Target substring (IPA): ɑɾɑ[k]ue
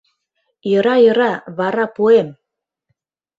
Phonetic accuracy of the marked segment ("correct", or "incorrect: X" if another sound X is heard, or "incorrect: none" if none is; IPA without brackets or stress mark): incorrect: p